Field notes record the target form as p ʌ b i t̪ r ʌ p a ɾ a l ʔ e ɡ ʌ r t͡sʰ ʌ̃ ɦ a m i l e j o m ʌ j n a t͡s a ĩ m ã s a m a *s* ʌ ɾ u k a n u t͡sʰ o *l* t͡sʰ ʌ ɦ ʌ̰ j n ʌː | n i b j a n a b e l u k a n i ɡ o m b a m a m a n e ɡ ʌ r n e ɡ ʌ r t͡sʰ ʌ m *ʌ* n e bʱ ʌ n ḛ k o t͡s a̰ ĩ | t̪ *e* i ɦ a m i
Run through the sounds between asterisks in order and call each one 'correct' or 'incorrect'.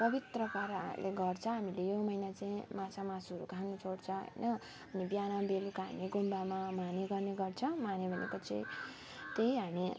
correct, incorrect, incorrect, correct

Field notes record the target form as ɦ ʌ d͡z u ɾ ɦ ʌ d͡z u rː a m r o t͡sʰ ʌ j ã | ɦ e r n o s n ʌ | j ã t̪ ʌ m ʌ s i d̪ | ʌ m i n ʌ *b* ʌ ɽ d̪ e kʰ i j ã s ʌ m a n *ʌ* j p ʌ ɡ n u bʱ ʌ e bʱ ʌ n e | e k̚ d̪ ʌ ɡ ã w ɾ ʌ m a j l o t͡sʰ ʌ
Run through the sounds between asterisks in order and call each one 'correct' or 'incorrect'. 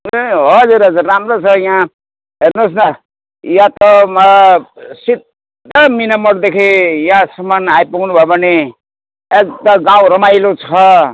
incorrect, incorrect

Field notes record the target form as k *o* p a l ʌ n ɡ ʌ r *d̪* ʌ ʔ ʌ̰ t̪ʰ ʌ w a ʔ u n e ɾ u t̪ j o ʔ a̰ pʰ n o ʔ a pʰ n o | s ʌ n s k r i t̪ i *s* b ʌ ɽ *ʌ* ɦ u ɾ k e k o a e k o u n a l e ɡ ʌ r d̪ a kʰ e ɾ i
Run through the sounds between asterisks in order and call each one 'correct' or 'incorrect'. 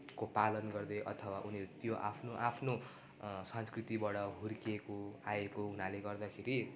correct, correct, incorrect, correct

